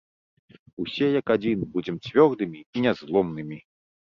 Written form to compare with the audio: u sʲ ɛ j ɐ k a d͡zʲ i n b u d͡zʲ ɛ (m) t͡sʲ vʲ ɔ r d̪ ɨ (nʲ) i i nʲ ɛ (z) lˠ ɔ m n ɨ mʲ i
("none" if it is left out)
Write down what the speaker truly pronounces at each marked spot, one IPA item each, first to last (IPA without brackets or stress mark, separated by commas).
m, mʲ, z